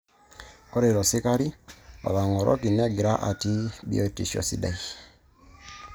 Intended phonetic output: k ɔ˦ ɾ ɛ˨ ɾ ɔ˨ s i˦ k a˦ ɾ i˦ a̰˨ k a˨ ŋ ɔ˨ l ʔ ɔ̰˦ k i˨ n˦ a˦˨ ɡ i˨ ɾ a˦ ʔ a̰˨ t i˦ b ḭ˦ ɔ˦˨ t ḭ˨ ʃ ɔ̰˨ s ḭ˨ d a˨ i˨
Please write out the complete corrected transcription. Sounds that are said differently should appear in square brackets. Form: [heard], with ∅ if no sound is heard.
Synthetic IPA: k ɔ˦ ɾ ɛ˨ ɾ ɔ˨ s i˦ k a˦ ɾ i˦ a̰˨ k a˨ ŋ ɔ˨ [ɾ] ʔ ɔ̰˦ k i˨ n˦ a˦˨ ɡ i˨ ɾ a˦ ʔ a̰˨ t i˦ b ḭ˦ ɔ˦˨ t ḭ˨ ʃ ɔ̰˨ s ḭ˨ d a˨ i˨